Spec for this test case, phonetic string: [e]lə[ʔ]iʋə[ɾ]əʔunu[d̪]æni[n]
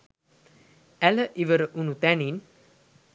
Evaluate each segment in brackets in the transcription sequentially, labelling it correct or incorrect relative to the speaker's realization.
incorrect: æ, correct, correct, incorrect: t̪, correct

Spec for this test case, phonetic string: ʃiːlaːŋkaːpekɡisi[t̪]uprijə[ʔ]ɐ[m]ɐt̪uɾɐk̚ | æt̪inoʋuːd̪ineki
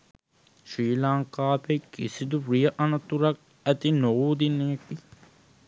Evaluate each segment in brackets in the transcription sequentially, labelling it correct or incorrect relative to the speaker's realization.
incorrect: d̪, correct, incorrect: n

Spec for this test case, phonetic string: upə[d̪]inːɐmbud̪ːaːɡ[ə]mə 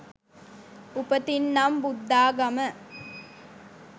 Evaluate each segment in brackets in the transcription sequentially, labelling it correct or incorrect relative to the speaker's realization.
incorrect: t̪, incorrect: ɐ

